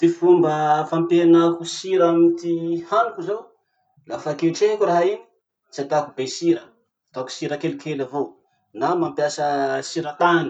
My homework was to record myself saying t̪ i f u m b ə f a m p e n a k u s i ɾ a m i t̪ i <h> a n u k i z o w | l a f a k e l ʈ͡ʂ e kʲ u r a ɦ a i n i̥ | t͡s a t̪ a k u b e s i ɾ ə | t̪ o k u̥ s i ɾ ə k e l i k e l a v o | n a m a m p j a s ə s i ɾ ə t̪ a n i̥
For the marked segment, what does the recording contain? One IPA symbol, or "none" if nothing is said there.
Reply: h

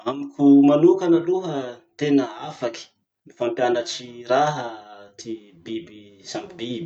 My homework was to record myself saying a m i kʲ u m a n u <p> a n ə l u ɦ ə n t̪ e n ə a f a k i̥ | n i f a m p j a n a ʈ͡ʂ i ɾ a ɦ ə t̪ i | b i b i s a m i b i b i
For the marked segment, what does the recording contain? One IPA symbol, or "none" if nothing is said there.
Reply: k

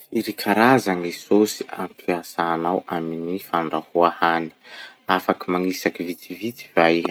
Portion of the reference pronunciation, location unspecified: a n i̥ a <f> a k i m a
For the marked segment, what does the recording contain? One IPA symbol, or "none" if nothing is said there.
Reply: f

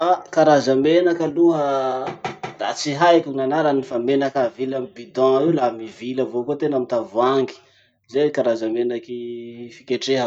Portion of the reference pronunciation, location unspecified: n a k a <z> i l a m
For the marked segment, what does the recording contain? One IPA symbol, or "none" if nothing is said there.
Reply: v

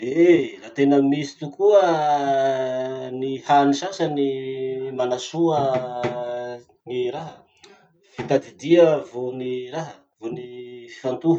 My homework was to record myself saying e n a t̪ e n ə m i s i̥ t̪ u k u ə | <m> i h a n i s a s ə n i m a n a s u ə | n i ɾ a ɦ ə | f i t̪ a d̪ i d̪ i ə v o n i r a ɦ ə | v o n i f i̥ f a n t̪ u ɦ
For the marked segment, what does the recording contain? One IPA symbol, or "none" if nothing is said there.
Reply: n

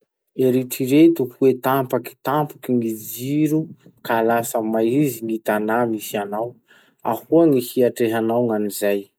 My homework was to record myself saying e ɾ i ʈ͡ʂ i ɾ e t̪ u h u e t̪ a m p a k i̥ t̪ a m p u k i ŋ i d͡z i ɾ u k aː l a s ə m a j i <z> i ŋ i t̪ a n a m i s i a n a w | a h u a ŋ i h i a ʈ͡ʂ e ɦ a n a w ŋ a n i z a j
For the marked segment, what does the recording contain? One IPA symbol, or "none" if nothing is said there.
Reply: z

